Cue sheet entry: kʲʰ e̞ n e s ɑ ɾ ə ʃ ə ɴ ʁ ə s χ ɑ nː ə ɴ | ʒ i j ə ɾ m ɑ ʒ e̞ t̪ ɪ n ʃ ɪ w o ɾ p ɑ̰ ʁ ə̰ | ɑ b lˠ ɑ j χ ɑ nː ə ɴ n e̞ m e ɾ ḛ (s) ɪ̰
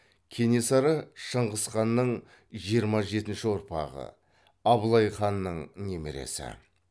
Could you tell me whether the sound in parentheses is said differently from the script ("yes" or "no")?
no